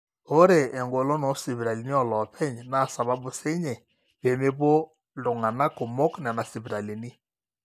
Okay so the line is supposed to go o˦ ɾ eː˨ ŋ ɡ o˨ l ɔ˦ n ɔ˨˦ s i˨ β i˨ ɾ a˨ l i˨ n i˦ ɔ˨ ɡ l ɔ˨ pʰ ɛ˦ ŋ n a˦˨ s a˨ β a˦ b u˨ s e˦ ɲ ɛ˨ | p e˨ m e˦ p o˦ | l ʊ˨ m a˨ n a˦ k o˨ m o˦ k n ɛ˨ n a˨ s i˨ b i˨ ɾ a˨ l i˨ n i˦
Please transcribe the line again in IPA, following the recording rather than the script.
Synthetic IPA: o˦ ɾ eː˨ ŋ ɡ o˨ l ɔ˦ n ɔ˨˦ s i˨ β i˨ ɾ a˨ l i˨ n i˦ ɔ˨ l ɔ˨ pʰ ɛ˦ ɲ n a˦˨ s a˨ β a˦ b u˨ s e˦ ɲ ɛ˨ | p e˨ m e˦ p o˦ | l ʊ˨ ŋ a˨ n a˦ k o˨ m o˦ k n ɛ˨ n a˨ s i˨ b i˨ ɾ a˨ l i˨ n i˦